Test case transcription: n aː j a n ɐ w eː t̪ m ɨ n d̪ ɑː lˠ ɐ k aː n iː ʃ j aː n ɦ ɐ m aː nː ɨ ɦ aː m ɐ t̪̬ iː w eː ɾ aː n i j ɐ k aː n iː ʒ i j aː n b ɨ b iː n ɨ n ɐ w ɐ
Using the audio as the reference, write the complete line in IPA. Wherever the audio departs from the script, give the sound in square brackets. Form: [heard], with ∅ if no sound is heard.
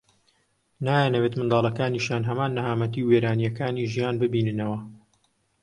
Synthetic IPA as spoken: n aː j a n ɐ w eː t̪ m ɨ n d̪ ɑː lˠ ɐ k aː n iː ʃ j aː n ɦ ɐ m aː nː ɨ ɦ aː m ɐ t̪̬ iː w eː ɾ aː n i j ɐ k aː n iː ʒ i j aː n b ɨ b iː n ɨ n ɐ w ɐ